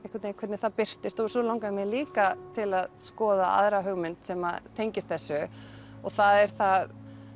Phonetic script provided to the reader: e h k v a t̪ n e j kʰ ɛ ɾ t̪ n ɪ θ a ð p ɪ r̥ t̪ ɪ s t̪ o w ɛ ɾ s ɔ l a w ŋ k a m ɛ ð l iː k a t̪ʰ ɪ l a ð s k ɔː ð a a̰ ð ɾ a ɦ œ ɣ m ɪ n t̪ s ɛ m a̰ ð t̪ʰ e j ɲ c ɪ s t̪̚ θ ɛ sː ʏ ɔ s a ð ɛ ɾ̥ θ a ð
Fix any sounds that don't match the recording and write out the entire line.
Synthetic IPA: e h k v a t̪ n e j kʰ ɛ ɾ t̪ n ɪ θ a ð p ɪ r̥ t̪ ɪ s t̪ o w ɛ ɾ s ɔ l a w ŋ k a m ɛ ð l iː k a t̪ʰ ɪ l a ð s k ɔː ð a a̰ ð ɾ a ɦ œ ɣ m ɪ n t̪ s ɛ m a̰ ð t̪ʰ e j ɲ c ɪ s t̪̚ θ ɛ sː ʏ ɔ θ a ð ɛ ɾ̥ θ a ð